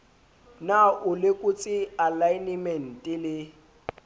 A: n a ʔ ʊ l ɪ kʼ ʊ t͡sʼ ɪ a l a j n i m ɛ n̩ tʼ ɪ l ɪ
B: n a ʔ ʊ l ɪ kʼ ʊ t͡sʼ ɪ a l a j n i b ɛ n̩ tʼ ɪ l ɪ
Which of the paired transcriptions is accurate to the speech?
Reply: A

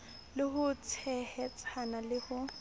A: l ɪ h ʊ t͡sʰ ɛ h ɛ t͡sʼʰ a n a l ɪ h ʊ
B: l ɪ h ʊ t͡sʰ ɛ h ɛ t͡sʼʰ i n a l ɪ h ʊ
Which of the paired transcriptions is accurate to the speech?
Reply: A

